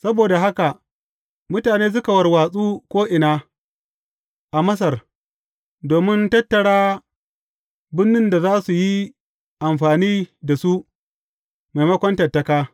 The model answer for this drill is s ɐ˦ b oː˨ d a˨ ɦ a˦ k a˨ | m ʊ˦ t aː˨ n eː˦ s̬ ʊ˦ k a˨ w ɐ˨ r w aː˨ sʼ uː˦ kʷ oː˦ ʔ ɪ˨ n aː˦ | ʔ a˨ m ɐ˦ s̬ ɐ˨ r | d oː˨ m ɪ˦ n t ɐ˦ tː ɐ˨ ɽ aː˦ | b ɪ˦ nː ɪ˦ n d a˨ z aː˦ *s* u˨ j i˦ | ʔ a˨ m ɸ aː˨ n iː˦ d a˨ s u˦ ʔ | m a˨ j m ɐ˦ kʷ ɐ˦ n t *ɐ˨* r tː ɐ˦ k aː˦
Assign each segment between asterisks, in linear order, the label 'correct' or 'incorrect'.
correct, correct

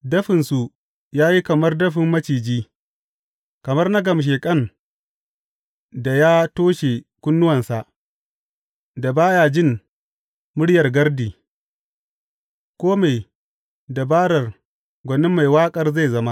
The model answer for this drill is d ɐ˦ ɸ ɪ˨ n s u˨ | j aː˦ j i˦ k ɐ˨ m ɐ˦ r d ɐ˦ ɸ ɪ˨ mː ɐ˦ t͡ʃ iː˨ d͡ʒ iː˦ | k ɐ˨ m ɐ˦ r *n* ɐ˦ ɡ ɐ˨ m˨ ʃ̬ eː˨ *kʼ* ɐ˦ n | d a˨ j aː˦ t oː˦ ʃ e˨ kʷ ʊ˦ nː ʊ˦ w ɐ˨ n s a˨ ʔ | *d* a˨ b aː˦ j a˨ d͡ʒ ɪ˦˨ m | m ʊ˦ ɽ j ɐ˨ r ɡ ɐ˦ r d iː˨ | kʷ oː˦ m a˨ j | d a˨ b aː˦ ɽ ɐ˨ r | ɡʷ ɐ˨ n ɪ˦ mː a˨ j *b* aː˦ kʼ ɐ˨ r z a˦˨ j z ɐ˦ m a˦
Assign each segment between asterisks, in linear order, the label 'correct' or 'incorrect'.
correct, correct, correct, incorrect: w

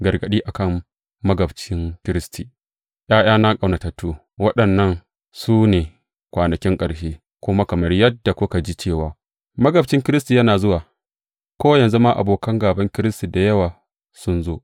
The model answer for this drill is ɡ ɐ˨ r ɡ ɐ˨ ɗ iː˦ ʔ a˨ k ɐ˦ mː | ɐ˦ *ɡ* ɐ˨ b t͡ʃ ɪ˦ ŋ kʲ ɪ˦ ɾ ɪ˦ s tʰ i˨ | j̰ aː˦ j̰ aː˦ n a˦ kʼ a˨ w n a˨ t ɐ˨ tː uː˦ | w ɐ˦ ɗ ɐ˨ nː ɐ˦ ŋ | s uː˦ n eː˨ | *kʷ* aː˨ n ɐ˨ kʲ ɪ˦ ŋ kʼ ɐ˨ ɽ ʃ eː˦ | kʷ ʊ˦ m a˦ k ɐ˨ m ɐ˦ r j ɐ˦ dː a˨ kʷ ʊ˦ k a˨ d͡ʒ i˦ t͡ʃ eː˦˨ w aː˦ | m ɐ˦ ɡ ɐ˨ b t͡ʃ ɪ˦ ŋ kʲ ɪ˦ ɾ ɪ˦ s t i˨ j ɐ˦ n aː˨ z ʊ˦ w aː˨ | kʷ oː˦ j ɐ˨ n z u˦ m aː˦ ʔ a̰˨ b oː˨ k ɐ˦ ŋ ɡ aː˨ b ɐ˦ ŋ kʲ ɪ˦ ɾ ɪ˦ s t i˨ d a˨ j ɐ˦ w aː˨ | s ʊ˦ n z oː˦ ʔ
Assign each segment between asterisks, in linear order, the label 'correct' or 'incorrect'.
correct, correct

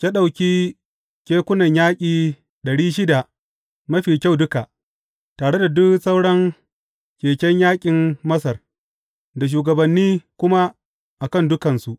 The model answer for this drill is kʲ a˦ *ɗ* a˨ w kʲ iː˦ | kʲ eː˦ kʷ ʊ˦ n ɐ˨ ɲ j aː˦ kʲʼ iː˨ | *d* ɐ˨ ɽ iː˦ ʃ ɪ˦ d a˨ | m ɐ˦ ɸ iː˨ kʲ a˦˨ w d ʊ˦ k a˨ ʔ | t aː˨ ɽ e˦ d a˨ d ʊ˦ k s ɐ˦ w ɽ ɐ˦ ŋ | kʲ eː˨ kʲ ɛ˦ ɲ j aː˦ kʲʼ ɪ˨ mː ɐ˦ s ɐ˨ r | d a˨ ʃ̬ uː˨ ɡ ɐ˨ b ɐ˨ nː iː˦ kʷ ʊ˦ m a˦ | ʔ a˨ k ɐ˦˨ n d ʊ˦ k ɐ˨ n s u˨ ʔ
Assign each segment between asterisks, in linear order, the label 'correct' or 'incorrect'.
correct, incorrect: ɗ

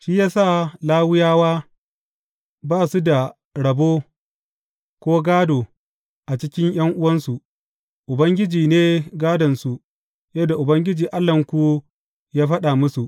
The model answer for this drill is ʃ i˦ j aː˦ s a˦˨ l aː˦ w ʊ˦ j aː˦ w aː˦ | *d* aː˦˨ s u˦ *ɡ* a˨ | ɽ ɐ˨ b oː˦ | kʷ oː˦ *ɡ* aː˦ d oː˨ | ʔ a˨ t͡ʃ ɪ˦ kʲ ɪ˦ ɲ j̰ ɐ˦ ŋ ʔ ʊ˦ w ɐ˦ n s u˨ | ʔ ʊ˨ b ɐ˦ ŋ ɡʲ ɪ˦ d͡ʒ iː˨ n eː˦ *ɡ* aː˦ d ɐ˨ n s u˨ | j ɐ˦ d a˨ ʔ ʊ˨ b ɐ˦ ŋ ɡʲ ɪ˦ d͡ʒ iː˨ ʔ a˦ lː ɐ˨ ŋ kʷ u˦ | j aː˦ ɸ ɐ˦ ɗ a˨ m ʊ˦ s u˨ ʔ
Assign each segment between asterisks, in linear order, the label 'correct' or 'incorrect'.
incorrect: b, incorrect: d, correct, correct

